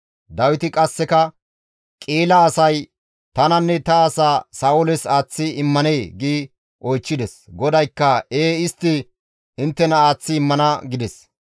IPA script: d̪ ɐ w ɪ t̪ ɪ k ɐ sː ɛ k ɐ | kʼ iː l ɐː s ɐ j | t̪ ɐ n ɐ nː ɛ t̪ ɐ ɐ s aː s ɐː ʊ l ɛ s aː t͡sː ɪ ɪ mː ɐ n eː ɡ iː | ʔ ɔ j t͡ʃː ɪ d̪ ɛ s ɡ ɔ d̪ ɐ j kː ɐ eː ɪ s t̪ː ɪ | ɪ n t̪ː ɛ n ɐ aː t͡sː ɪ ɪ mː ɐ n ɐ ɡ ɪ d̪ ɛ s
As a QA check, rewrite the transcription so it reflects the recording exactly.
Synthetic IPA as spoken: d̪ ɐ w ɪ t̪ ɪ kʼ ɐ sː ɛ k ɐ | kʼ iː l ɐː s ɐ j | t̪ ɐ n ɐ nː ɛ t̪ ɐ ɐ s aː s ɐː ʊ l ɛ s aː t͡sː ɪ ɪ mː ɐ n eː ɡ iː | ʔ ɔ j t͡ʃː ɪ d̪ ɛ s ɡ ɔ d̪ ɐ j kː ɐ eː ɪ s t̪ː ɪ | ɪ n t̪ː ɛ n ɐ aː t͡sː ɪ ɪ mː ɐ n ɐ ɡ ɪ d̪ ɛ s

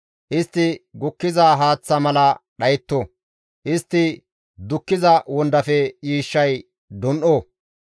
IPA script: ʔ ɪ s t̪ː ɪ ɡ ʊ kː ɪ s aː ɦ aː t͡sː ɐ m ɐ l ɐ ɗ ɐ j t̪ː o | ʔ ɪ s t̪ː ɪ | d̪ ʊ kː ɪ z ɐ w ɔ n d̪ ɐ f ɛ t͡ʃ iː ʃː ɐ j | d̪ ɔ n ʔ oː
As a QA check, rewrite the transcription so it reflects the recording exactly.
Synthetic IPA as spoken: ʔ ɪ s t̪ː ɪ ɡ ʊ kː ɪ z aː ɦ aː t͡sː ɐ m ɐ l ɐ ɗ ɐ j t̪ː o | ʔ ɪ s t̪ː ɪ | d̪ ʊ kː ɪ z ɐ w ɔ n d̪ ɐ f ɛ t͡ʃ iː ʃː ɐ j | d̪ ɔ n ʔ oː

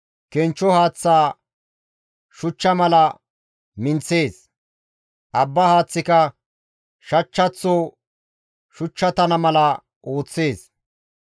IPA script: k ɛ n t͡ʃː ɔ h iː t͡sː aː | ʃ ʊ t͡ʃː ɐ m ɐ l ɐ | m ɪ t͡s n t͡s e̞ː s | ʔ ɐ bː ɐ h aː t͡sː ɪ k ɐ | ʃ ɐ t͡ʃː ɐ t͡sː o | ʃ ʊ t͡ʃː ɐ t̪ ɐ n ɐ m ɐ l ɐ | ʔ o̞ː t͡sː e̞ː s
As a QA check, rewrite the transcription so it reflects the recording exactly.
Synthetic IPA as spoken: k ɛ n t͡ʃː ɔ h aː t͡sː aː | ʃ ʊ t͡ʃː ɐ m ɐ l ɐ | m ɪ n t͡s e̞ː s | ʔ ɐ bː ɐ h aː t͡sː ɪ k ɐ | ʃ ɐ t͡ʃː ɐ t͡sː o | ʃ ʊ t͡ʃː ɐ t̪ ɐ n ɐ m ɐ l ɐ | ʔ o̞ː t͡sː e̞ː s

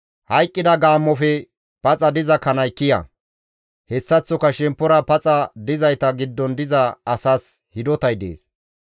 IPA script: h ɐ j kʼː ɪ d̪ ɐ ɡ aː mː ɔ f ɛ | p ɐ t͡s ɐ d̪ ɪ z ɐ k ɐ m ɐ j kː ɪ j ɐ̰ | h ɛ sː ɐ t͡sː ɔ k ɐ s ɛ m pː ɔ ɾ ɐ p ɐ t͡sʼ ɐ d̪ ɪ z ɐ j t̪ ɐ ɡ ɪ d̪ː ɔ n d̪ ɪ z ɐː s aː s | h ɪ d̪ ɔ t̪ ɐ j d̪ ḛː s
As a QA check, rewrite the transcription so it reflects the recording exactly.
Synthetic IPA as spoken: h ɐ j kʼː ɪ d̪ ɐ ɡ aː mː ɔ f ɛ | p ɐ t͡sʼ ɐ d̪ ɪ z ɐ k ɐ n ɐ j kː ɪ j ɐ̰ | h ɛ sː ɐ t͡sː ɔ k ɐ ʃ ɛ m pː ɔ ɾ ɐ p ɐ t͡sʼ ɐ d̪ ɪ z ɐ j t̪ ɐ ɡ ɪ d̪ː ɔ n d̪ ɪ z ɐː s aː s | h ɪ d̪ ɔ t̪ ɐ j d̪ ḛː s

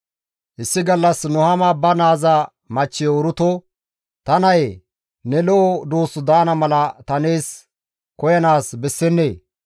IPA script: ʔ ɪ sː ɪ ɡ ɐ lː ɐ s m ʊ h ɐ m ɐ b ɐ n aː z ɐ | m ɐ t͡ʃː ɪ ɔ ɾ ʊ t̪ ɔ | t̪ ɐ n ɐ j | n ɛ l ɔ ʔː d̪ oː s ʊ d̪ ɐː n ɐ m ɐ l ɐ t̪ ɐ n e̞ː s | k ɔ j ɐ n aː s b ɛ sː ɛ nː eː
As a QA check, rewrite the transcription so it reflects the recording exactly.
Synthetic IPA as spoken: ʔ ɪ sː ɪ ɡ ɐ lː ɐ s n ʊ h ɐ m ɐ b ɐ n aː z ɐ | m ɐ t͡ʃː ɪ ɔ ɾ ʊ t̪ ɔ | t̪ ɐ n ɐ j | n ɛ l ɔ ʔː d̪ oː s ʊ d̪ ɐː n ɐ m ɐ l ɐ t̪ ɐ n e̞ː s | k ɔ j ɐ n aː s b ɛ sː ɛ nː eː

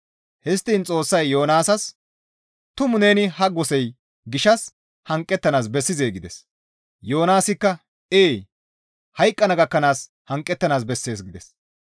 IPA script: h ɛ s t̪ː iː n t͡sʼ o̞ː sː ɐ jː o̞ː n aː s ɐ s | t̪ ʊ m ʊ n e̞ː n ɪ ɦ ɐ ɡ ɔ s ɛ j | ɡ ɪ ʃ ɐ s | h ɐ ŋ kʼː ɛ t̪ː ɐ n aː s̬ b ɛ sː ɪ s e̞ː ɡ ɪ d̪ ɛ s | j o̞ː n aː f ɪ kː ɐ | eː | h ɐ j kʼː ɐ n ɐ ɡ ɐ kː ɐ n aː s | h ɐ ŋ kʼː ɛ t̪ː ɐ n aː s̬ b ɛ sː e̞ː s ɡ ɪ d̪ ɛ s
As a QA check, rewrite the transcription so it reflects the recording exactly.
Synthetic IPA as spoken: h ɛ s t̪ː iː n t͡sʼ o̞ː sː ɐ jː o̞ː n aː s ɐ s | t̪ ʊ m ʊ n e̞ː n ɪ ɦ ɐ ɡ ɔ s ɛ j | ɡ ɪ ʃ ɐ s | h ɐ ŋ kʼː ɛ t̪ː ɐ n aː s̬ b ɛ sː ɪ z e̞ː ɡ ɪ d̪ ɛ s | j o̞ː n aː s ɪ kː ɐ | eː | h ɐ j kʼː ɐ n ɐ ɡ ɐ kː ɐ n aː s | h ɐ ŋ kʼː ɛ t̪ː ɐ n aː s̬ b ɛ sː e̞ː s ɡ ɪ d̪ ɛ s

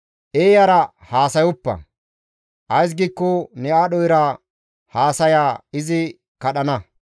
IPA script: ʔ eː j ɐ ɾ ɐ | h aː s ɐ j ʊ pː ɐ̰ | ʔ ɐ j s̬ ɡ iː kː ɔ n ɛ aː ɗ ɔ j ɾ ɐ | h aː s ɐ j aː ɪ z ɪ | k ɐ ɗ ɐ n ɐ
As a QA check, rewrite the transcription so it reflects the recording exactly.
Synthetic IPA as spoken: ʔ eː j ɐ ɾ ɐ | h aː s ɐ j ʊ pː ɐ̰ | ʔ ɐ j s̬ ɡ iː kː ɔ n ɛ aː ɗ ɔ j ɾ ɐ | h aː s ɐ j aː ɪ z ɪ | k ɐ ɗ ɐ n ɐ

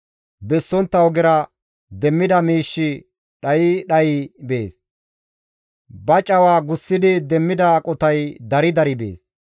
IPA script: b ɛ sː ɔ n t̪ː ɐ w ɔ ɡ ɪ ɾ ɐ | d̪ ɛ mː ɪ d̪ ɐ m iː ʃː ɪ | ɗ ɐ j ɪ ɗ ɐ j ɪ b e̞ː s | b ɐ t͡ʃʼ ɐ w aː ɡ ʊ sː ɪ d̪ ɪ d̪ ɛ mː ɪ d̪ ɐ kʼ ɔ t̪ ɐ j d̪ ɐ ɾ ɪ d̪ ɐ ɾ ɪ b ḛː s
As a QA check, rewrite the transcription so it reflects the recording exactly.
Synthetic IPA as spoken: b ɛ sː ɔ n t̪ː ɐ w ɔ ɡ ɪ ɾ ɐ | d̪ ɛ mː ɪ d̪ ɐ m iː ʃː ɪ | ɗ ɐ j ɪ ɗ ɐ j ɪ b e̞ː s | b ɐ t͡ʃʼ ɐ w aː ɡ ʊ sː ɪ d̪ ɪ d̪ ɛ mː ɪ d̪ ɐ kʼ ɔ t̪ ɐ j d̪ ɐ ɾ ɪ d̪ ɐ ɾ ɪ b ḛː s

